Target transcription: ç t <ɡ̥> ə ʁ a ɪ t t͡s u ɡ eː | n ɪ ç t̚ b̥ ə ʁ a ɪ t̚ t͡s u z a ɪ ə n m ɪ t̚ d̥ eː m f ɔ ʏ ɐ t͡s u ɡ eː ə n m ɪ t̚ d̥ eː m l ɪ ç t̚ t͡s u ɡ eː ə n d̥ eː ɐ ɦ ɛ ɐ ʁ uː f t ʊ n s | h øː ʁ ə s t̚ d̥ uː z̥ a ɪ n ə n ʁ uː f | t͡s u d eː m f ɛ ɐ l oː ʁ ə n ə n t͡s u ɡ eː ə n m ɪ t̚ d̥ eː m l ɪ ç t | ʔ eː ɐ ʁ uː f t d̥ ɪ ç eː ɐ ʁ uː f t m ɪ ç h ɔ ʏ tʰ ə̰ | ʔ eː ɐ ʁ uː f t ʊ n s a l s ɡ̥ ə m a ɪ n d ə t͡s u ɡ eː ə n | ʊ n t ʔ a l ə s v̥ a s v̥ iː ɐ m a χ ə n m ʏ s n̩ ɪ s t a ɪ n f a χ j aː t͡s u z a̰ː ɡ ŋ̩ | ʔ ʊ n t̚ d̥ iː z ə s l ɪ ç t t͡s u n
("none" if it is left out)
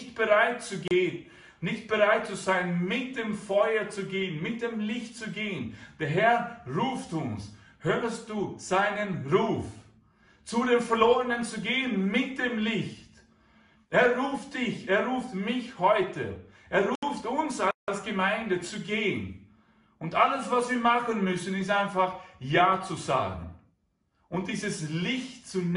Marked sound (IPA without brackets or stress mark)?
b̥